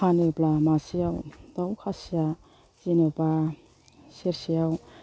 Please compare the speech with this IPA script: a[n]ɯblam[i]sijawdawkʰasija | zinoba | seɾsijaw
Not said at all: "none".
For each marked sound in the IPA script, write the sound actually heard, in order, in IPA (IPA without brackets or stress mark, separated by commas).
n, a